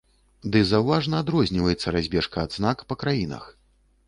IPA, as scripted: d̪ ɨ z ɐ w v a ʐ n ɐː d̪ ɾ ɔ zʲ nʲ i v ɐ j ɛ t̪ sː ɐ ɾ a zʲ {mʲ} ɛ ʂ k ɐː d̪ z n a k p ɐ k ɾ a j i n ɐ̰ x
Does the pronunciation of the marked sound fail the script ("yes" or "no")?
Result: yes